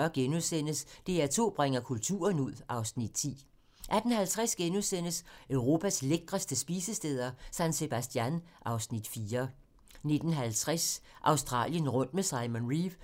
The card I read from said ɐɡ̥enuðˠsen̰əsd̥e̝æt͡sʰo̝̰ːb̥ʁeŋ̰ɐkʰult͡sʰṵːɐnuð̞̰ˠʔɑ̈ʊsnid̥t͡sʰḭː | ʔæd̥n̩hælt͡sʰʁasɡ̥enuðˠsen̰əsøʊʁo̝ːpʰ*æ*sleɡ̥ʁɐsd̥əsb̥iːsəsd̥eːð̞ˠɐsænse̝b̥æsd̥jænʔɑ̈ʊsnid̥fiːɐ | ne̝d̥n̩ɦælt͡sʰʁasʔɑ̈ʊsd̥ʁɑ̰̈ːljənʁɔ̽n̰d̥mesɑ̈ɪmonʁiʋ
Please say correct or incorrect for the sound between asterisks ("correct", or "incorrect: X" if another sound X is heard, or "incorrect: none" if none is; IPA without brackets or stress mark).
correct